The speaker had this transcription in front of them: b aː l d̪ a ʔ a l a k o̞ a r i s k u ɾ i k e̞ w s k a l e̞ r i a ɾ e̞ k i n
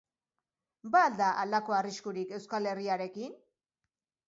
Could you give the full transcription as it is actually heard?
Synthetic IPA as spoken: b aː l d̪ a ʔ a l a k o̞ a r i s k u ɾ i k e̞ w s k a l e̞ r i a ɾ e̞ k i n